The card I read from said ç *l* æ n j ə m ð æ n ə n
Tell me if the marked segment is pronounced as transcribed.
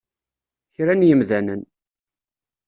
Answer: no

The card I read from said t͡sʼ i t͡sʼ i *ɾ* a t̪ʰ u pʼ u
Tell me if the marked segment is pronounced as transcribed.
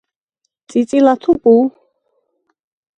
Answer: no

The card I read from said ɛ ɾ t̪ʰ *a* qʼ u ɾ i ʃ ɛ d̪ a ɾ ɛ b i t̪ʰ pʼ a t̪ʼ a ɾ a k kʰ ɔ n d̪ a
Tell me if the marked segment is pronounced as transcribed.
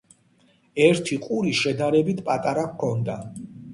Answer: no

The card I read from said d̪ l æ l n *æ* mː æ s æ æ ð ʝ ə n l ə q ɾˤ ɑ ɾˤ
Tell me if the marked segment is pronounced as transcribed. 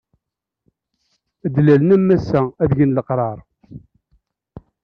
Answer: yes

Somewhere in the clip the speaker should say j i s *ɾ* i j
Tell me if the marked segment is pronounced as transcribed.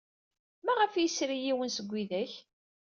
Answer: yes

